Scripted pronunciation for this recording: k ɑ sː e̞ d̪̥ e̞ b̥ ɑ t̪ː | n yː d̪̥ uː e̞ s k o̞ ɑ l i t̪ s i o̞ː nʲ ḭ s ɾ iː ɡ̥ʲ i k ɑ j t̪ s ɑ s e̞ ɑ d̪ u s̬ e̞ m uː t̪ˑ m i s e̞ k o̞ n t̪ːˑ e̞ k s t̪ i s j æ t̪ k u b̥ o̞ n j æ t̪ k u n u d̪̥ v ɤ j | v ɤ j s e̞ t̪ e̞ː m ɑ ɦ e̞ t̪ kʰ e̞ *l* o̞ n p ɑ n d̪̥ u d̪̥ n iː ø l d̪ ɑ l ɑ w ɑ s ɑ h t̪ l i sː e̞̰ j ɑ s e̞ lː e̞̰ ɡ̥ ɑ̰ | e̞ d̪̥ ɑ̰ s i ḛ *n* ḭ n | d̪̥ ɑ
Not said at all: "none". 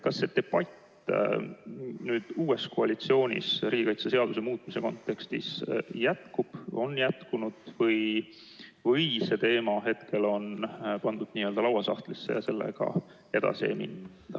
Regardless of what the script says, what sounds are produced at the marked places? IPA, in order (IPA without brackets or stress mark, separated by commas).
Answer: l, m